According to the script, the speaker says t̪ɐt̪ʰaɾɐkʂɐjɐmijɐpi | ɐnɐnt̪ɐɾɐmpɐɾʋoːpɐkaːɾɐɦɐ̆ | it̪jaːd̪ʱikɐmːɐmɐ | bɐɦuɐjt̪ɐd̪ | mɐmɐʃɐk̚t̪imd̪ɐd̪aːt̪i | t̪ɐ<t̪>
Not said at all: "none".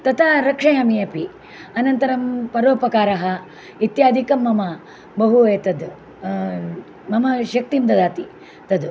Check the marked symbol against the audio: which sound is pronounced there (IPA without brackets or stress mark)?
d̪